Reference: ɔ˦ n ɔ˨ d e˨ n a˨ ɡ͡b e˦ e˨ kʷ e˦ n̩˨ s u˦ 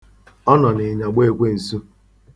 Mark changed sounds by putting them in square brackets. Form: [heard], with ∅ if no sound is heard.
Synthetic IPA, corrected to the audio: ɔ˦ n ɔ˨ [n] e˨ [ɲ] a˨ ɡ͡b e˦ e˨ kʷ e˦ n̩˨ s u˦